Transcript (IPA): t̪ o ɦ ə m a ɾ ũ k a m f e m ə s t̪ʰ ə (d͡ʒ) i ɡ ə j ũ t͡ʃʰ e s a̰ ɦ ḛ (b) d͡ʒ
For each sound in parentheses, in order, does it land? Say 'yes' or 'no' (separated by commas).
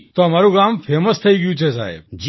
no, yes